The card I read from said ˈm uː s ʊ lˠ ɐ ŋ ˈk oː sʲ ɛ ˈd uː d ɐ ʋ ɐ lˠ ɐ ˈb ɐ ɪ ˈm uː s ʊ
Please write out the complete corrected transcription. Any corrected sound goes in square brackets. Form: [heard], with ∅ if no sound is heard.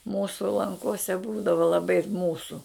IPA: ˈm uː s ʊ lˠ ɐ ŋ ˈk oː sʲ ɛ [ˈb] uː d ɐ ʋ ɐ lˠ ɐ ˈb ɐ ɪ ˈm uː s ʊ